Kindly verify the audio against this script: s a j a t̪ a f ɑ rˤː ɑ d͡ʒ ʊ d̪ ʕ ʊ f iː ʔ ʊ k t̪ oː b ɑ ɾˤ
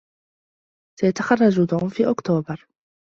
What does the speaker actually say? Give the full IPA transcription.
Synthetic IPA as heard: s a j a t̪ a x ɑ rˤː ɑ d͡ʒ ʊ d̪ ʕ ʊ f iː ʔ ʊ k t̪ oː b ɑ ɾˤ